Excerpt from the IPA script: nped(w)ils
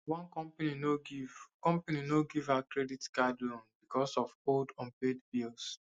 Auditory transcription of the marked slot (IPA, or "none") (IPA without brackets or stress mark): b